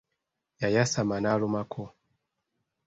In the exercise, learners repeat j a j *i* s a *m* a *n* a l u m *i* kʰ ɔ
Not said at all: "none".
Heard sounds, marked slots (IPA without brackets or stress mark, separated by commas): a, m, n, a